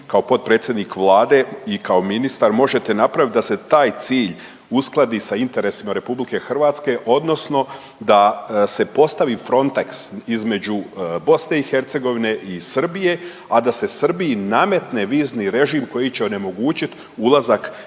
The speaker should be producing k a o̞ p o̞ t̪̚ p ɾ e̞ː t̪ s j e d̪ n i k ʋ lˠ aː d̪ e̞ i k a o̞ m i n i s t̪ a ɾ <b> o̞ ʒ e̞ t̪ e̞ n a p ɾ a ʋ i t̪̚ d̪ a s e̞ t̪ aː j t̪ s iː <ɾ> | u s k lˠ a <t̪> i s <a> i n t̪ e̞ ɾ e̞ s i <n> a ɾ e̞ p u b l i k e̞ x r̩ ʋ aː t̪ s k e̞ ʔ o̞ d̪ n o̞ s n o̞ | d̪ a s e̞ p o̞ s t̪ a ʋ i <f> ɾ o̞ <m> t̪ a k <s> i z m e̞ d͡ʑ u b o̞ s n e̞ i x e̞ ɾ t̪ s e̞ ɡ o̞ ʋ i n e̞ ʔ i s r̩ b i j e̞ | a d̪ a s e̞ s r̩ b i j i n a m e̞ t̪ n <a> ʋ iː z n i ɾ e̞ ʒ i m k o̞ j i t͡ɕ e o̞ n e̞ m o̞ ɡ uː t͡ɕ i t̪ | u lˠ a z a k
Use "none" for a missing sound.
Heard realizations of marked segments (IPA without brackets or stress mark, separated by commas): m, ʎ, d̪, a, m, f, n, s, e